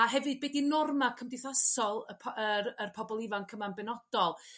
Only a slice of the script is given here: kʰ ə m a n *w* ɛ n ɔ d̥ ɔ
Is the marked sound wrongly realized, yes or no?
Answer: yes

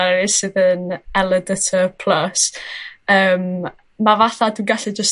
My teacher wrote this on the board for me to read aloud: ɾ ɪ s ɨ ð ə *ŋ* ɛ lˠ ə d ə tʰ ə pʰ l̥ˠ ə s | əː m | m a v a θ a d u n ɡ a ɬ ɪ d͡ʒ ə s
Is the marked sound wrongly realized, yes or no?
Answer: yes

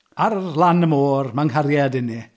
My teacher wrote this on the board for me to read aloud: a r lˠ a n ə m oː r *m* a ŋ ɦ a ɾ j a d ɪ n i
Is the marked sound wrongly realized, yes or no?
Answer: no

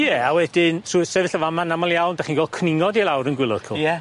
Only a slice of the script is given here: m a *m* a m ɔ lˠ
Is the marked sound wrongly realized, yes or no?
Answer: yes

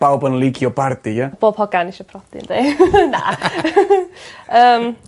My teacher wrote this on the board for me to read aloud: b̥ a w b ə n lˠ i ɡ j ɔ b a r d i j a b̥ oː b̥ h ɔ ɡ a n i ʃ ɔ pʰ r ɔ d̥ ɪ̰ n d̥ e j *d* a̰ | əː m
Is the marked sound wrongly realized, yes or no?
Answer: yes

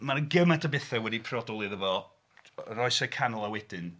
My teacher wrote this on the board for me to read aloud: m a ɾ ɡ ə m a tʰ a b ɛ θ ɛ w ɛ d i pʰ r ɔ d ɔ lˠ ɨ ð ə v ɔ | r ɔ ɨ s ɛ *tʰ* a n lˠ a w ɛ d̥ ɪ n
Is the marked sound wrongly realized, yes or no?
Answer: yes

